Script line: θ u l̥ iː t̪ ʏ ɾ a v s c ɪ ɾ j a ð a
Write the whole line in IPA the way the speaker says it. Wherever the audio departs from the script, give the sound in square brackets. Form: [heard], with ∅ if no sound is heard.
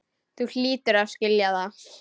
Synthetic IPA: θ u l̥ iː t̪ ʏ ɾ a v s c ɪ [l] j a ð a